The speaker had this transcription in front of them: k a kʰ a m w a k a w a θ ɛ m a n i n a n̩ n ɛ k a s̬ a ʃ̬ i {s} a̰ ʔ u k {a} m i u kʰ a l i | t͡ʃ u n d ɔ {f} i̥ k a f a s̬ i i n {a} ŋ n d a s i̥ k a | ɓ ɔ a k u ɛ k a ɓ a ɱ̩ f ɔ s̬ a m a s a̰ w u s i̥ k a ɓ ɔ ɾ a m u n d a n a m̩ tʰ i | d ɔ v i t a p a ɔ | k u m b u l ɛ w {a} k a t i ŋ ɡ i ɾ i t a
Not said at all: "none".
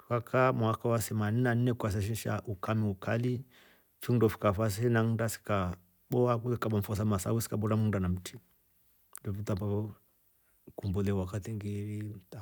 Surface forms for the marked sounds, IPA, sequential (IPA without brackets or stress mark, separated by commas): ʃ, a, f, a, a